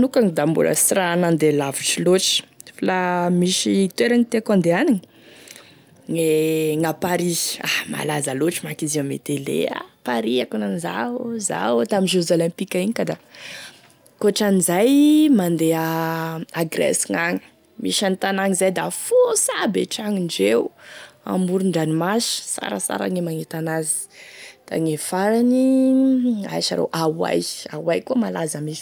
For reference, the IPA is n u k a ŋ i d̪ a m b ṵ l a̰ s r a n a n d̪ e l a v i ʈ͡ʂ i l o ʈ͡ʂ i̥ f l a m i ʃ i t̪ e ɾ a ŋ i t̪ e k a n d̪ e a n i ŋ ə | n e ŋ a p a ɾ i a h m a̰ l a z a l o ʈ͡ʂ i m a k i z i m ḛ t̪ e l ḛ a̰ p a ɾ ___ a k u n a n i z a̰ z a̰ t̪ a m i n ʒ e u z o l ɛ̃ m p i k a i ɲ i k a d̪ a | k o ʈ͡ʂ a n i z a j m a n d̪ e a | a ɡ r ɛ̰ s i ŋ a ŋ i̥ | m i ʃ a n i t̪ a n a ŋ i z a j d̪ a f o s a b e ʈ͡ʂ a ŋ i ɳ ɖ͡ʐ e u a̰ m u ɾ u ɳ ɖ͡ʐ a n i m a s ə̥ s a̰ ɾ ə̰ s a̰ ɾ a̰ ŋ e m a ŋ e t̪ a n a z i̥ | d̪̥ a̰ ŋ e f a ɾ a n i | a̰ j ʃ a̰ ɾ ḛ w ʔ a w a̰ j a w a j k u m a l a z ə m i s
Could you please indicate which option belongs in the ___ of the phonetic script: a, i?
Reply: i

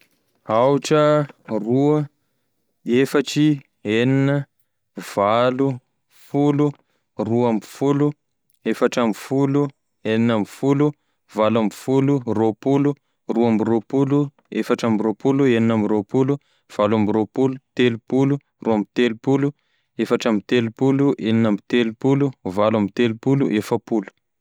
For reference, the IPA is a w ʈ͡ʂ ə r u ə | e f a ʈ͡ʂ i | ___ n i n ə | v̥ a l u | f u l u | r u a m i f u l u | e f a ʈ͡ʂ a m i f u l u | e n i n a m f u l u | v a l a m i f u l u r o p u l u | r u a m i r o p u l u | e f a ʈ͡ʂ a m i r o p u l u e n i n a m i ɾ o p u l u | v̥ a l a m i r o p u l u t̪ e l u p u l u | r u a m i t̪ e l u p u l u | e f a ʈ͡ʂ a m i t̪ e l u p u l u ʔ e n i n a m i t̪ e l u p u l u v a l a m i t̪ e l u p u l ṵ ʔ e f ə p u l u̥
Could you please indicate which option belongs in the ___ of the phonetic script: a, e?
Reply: e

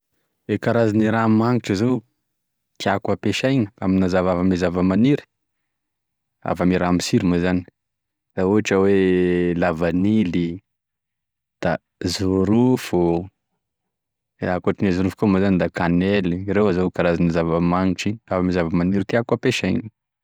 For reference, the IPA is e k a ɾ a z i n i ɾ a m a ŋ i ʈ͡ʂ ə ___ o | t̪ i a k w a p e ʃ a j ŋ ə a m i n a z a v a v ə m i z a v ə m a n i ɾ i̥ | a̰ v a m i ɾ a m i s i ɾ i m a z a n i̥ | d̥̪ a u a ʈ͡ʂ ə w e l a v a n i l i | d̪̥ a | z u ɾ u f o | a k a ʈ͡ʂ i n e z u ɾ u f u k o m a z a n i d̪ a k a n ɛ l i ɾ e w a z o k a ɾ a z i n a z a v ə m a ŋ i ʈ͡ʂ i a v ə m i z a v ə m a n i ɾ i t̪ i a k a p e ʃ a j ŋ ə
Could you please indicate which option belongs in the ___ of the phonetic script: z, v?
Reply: z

